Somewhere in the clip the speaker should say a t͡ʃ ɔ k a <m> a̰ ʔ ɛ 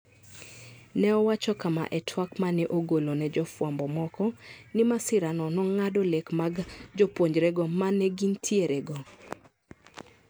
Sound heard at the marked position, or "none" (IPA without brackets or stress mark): m